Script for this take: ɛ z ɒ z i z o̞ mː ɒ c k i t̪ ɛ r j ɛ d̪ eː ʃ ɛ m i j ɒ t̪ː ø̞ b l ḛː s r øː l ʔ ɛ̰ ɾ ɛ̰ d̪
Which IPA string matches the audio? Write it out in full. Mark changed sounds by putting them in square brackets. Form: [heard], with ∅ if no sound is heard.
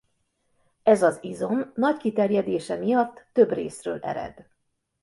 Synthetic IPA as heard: ɛ z ɒ z i z o̞ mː ɒ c k i t̪ ɛ r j ɛ d̪ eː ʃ ɛ m i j ɒ t̪ː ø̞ b [r] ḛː s r øː l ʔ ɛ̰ ɾ ɛ̰ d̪